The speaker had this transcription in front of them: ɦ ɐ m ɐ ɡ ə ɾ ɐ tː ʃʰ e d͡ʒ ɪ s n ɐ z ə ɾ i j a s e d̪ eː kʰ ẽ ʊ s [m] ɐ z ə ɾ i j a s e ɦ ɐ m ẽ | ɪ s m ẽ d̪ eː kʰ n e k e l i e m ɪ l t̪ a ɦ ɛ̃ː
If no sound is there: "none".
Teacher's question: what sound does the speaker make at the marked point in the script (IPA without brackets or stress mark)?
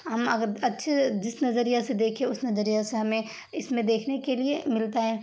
n